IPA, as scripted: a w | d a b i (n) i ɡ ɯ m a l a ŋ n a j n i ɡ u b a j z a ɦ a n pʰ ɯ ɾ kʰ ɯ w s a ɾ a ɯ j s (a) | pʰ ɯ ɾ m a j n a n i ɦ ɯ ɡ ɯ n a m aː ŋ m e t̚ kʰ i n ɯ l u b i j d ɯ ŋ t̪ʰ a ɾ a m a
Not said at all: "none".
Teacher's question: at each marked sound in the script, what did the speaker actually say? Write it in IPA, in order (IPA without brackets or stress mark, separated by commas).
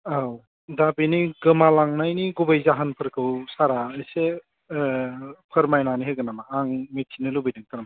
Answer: n, e